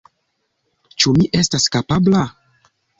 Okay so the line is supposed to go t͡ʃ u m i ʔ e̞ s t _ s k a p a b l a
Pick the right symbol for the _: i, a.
a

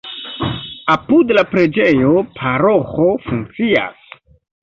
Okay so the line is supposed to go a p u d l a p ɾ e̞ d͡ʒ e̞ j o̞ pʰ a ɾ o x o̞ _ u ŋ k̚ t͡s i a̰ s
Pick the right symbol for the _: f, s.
f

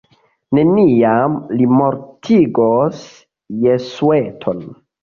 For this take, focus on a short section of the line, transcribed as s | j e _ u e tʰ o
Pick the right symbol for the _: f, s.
s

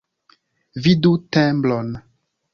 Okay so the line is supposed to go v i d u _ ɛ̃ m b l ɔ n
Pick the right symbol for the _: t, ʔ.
t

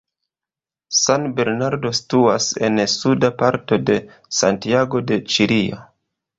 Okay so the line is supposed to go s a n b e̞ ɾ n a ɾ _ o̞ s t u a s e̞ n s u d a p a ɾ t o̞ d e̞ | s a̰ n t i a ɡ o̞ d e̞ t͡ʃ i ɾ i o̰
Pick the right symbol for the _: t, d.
d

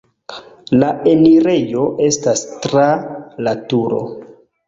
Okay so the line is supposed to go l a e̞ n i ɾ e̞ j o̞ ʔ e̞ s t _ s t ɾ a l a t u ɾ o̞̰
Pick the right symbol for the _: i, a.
a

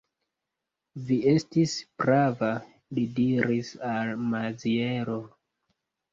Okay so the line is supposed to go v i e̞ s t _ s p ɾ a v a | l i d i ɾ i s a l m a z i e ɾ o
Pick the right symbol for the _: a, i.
i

